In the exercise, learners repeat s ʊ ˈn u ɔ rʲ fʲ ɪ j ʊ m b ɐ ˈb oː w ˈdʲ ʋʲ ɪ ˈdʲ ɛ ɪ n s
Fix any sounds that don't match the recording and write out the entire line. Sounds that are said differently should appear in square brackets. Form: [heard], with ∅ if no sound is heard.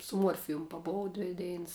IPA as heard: s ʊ [ˈm] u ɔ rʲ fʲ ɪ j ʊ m [p] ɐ ˈb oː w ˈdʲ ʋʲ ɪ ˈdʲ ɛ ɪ n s

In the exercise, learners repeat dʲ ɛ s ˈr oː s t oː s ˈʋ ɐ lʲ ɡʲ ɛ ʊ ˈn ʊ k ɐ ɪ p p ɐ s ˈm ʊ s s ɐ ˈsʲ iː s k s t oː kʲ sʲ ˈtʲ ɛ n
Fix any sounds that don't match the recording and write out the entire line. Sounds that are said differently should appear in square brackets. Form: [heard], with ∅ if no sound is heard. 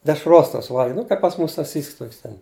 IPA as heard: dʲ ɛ [ʃ] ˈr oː s t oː s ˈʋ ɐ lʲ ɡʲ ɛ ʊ ˈn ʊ k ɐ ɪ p p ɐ s ˈm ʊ s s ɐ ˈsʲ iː s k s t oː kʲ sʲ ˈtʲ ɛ n

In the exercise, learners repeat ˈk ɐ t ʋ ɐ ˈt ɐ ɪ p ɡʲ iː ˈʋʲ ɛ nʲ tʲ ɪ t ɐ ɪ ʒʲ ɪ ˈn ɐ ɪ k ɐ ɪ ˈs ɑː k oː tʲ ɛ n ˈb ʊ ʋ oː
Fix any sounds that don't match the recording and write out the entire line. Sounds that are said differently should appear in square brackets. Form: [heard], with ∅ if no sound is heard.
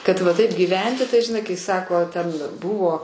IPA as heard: ˈk ɐ t ʋ ɐ ˈt ɐ ɪ p ɡʲ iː ˈʋʲ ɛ nʲ tʲ ɪ t ɐ ɪ ʒʲ ɪ ˈn ɐ ɪ k ɐ ɪ ˈs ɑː k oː tʲ ɛ n ˈb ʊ ʋ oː

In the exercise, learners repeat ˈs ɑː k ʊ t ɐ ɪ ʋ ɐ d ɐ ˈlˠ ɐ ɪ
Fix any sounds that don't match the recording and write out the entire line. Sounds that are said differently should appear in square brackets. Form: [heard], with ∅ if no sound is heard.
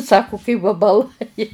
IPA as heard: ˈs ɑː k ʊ [k] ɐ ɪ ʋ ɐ [b] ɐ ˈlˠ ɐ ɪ

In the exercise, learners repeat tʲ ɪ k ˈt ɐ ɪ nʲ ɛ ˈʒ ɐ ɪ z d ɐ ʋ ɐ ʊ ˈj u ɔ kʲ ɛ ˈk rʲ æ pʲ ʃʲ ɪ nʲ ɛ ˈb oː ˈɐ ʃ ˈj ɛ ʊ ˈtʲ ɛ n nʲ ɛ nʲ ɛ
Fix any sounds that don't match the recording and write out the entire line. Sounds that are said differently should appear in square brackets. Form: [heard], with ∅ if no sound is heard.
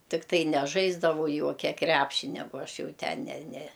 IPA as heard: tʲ ɪ k ˈt ɐ ɪ nʲ ɛ ˈʒ ɐ ɪ z d ɐ ʋ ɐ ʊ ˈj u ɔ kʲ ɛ ˈk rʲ æ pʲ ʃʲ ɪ nʲ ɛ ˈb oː ˈɐ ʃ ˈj ɛ ʊ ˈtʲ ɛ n nʲ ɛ nʲ ɛ

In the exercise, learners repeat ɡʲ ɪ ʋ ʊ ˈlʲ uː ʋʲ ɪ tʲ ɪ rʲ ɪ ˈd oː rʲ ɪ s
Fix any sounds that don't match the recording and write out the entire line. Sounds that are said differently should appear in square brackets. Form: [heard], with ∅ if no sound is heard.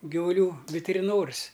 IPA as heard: ɡʲ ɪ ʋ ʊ ˈlʲ uː ʋʲ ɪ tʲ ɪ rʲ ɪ [ˈn] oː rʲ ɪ s

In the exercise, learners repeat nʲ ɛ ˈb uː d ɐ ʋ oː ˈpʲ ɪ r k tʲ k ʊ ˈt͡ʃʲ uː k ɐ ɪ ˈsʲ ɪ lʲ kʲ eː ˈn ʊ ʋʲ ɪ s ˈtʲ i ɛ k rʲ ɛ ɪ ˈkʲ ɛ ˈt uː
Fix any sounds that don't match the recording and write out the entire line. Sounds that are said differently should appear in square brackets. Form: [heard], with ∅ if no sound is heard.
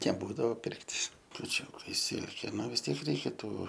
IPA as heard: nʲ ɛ ˈb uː d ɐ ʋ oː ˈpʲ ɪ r k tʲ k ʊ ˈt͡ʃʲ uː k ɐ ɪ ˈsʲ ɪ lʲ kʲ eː ˈn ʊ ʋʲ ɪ s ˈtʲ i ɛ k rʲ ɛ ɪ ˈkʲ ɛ ˈt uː

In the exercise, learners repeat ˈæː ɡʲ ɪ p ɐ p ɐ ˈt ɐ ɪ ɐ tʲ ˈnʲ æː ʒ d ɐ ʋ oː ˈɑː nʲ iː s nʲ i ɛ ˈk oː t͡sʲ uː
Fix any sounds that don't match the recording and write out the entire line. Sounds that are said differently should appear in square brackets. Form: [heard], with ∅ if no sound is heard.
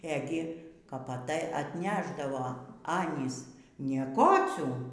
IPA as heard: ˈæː ɡʲ ɪ [k] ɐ p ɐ ˈt ɐ ɪ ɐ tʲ ˈnʲ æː ʒ d ɐ ʋ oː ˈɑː nʲ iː s nʲ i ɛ ˈk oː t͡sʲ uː

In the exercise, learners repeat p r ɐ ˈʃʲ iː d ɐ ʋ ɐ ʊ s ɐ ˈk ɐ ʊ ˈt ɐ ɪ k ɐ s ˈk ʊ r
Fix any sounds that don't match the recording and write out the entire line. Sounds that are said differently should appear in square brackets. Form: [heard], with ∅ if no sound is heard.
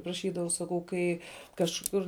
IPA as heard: p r ɐ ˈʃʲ iː d ɐ ʋ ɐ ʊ s ɐ ˈk ɐ ʊ [ˈk] ɐ ɪ k ɐ [ʃ] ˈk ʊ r

